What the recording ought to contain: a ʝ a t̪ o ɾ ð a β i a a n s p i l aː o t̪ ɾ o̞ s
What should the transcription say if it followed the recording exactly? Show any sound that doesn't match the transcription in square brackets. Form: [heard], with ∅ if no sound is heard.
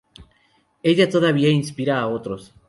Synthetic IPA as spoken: [e] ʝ a t̪ o [∅] ð a β i a [i] n s p i [ɾ] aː o t̪ ɾ o̞ s